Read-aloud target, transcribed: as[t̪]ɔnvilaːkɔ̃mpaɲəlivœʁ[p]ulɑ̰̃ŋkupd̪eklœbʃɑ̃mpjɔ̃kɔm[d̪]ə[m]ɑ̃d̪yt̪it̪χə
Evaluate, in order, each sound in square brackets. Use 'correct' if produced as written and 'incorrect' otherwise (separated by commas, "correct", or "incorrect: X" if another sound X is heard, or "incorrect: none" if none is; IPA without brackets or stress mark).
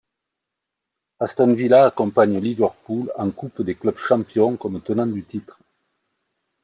correct, correct, incorrect: t̪, incorrect: n